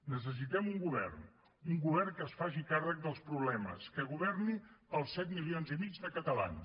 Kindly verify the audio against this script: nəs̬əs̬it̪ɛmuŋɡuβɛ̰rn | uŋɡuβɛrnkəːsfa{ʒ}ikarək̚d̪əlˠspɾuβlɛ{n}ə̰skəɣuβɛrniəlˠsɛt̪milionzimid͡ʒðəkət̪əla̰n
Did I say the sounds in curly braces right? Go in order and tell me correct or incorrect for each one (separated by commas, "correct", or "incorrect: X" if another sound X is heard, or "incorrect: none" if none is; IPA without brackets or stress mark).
correct, incorrect: m